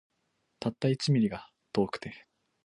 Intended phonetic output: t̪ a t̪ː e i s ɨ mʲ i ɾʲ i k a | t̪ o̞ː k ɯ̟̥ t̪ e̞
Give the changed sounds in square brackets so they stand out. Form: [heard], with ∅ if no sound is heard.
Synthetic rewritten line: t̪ a t̪ː [a] i [t͡s] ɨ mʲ i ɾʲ i [ɡ] a | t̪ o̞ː k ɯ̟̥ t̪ e̞

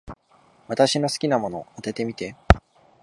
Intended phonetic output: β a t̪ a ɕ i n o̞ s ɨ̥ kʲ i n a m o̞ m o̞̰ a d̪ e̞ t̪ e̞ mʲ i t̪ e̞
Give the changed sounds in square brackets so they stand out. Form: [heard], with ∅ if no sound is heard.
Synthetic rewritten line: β a t̪ a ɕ i n o̞ s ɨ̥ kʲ i n a m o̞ [n] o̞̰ a [t̪] e̞ t̪ e̞ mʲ i t̪ e̞

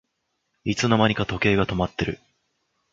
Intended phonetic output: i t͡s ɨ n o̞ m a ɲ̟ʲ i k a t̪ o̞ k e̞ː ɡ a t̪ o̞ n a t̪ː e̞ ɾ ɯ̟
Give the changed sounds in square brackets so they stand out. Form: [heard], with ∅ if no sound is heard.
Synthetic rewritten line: i t͡s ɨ n o̞ m a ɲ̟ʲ i k a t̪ o̞ k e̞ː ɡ a t̪ o̞ [m] a t̪ː e̞ ɾ ɯ̟

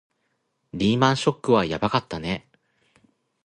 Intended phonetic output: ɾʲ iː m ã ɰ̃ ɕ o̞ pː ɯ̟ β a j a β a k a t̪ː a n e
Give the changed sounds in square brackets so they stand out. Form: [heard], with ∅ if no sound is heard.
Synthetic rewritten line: ɾʲ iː m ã ɰ̃ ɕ o̞ [kː] ɯ̟ β a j a [b] a k a t̪ː a n e

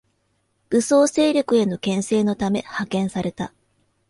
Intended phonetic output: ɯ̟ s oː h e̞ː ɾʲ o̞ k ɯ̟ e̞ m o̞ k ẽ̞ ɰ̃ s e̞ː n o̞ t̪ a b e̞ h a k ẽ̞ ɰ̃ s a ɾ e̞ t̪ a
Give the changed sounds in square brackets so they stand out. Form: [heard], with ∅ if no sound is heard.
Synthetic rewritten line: ɯ̟ s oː [s] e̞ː ɾʲ o̞ k ɯ̟ e̞ [n] o̞ k ẽ̞ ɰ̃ s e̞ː n o̞ t̪ a [m] e̞ h a k ẽ̞ ɰ̃ s a ɾ e̞ t̪ a

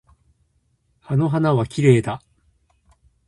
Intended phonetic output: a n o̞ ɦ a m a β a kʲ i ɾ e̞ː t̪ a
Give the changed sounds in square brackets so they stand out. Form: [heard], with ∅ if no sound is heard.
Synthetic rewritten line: a n o̞ ɦ a [n] a β a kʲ i ɾ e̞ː [d̪] a

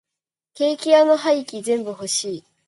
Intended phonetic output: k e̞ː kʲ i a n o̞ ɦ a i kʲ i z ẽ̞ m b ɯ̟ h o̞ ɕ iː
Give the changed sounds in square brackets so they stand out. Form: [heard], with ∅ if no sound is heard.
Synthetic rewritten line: k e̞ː kʲ i a n o̞ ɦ a i kʲ i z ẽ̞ m b ɯ̟ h o̞ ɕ iː

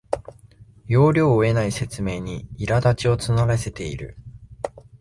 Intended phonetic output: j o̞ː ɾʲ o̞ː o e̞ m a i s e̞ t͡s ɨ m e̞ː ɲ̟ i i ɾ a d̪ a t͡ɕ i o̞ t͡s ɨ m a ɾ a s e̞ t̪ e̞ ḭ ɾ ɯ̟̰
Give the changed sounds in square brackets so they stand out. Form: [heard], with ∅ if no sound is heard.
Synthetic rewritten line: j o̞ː ɾʲ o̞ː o e̞ [n] a i s e̞ t͡s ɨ m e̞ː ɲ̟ i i ɾ a d̪ a t͡ɕ i o̞ t͡s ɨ [n] a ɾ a s e̞ t̪ e̞ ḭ ɾ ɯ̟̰

